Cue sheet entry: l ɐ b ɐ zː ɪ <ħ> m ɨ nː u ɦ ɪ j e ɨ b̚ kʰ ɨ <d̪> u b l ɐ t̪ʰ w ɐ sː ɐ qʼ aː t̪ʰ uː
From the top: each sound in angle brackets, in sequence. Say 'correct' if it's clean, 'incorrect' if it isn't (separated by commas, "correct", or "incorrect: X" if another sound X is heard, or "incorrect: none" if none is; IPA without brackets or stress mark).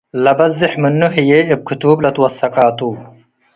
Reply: correct, incorrect: t̪